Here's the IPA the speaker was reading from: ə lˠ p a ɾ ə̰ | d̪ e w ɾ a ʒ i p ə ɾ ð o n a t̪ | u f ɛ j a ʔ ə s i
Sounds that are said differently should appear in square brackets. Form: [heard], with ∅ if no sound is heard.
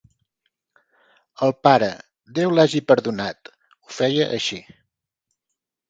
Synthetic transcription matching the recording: ə lˠ p a ɾ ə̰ | d̪ e w [l] a ʒ i p ə ɾ ð [u] n a t̪ | u f ɛ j [ə] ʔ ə [ʃ] i